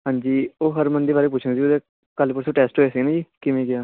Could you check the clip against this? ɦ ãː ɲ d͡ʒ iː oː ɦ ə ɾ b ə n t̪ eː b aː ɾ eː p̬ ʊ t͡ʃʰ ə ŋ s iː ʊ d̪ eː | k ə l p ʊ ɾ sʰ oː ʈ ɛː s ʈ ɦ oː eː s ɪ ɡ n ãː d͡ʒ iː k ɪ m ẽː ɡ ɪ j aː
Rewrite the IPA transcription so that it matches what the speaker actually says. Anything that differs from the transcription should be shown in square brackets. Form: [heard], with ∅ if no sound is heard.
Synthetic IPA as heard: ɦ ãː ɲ d͡ʒ iː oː ɦ ə ɾ [m] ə n [d̪] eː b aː ɾ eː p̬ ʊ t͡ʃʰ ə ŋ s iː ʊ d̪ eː | k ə l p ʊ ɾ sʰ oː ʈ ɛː s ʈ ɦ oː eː s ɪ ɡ n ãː d͡ʒ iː k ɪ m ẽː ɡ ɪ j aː